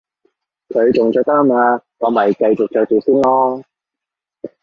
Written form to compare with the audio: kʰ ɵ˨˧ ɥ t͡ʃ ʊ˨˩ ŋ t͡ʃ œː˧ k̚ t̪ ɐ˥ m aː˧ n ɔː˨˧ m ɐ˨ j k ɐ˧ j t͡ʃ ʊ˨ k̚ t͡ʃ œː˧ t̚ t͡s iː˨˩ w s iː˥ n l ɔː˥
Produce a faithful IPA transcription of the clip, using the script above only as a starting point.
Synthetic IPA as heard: kʰ ɵ˨˧ ɥ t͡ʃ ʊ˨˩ ŋ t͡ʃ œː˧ k̚ t̪ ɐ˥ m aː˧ ŋ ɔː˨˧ m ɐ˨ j k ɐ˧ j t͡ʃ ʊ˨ k̚ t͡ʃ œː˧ k̚ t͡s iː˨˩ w s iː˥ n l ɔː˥